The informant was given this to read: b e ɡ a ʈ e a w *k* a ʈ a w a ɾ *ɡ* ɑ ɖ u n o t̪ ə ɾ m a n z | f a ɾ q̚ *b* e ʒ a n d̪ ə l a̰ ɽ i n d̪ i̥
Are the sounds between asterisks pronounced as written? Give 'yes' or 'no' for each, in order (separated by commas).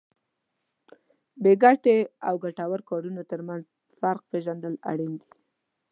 no, no, no